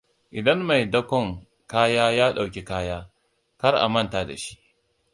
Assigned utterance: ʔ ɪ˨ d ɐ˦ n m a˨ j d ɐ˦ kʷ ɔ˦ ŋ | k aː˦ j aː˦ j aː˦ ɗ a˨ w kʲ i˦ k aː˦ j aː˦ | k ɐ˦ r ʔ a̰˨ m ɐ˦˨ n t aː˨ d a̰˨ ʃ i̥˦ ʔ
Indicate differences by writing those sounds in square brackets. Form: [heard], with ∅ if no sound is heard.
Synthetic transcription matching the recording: ʔ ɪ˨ d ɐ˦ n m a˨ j d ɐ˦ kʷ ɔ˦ ŋ | k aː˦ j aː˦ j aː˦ ɗ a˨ w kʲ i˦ k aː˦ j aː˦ | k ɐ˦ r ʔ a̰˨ m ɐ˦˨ n t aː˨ d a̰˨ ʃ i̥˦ ʔ